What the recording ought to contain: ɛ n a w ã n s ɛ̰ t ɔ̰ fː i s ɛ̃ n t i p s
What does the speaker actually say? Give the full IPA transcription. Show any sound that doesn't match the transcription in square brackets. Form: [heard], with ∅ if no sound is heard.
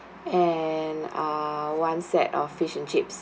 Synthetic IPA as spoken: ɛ n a w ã n s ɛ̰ t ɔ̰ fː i [ʃ] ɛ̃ n [t͡ʃ] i p s

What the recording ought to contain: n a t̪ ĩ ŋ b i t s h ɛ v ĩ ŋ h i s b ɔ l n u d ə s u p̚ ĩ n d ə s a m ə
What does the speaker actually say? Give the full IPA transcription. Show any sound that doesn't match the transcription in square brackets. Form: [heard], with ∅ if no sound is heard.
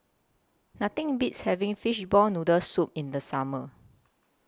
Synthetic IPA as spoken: n a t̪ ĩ ŋ b i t s h ɛ v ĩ ŋ [f] i [ʃ] b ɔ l n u d ə s u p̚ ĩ n d ə s a m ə

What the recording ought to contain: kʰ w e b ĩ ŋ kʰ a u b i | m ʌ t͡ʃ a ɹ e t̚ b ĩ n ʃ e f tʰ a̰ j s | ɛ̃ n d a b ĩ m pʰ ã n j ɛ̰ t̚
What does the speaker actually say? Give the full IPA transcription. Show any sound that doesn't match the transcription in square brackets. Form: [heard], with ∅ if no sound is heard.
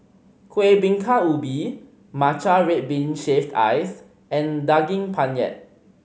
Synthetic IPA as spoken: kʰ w e b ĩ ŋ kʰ a u b i | m [a] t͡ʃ a ɹ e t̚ b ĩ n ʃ e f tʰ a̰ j s | ɛ̃ n d a [ɡ] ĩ [ŋ] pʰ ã n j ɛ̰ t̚

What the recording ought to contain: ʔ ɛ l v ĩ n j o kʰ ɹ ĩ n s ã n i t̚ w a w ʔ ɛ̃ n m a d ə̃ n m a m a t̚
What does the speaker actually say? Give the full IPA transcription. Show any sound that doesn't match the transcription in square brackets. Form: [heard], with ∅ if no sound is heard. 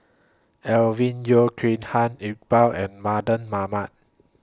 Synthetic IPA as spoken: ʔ ɛ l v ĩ n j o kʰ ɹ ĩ n [h] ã n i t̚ [b] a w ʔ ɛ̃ n m a d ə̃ n m a m a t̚

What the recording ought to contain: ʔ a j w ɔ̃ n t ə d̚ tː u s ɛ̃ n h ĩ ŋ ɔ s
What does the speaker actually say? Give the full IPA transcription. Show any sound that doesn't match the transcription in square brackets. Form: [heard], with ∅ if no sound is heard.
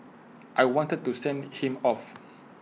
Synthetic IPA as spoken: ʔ a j w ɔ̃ n t ə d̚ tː u s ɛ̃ n h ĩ [m] ɔ [f]

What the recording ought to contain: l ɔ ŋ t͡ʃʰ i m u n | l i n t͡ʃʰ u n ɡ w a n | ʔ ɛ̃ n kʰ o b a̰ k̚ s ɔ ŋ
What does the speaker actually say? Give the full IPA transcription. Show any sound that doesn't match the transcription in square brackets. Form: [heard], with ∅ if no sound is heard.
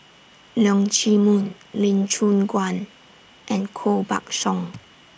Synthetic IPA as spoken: l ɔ ŋ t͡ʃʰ i m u n | l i n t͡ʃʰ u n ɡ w a n | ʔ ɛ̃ n kʰ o b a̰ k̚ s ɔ ŋ

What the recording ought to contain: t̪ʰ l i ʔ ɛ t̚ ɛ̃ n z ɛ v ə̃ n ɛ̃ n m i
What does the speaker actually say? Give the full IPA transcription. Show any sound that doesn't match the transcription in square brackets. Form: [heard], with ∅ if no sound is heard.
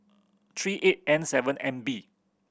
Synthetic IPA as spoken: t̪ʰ [ɹ] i ʔ [e] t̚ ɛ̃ n [s] ɛ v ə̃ n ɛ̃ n [b] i

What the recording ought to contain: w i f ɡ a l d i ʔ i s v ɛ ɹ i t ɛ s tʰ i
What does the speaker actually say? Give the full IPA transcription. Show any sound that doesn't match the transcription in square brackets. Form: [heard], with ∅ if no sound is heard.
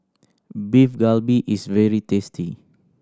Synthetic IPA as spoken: [b] i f ɡ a l [b] i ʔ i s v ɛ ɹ i t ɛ s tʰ i

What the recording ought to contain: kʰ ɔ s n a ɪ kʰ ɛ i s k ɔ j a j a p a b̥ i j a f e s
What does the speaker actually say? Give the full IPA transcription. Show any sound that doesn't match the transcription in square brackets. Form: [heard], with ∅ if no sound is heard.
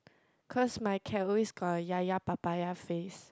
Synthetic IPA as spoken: kʰ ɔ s [m] a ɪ kʰ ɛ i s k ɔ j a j a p a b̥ [a] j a f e s

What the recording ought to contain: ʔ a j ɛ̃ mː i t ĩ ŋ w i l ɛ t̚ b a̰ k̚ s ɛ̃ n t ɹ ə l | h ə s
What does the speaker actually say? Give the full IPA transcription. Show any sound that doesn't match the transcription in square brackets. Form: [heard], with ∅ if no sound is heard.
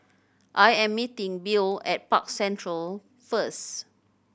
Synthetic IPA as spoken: ʔ a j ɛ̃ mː i t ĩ ŋ [b] i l ɛ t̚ [p] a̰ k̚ s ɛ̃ n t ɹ ə l | [f] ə s

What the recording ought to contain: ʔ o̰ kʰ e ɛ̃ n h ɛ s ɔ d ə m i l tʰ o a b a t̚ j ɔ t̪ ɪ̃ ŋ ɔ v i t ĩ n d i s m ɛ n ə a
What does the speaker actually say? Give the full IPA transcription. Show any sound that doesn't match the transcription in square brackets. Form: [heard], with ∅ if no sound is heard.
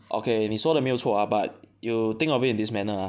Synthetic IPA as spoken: ʔ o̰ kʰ e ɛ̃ n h [i] s ɔ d ə m i l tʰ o a b a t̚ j [u] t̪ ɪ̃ ŋ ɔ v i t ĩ n d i s m ɛ n ə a

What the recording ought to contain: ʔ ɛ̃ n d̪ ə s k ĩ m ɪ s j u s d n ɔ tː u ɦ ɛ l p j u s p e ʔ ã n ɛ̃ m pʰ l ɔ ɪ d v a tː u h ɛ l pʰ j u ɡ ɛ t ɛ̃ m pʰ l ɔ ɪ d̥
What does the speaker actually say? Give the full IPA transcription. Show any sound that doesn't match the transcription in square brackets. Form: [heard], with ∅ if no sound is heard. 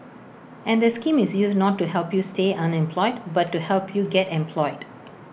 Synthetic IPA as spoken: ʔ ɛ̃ n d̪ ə s k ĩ m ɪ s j u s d n ɔ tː u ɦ ɛ l p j u s [t] e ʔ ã n ɛ̃ m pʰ l ɔ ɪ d [b] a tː u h ɛ l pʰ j u ɡ ɛ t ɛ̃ m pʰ l ɔ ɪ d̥

